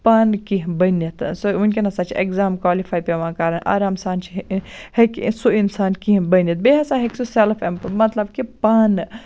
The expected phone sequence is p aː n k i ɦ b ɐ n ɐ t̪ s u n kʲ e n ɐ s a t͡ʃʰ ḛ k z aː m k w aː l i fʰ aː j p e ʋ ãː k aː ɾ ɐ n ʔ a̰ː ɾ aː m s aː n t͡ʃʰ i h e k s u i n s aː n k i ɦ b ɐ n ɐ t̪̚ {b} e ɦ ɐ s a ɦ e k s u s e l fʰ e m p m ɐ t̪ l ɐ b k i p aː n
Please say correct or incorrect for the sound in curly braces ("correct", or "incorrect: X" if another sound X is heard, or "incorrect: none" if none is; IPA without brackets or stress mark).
correct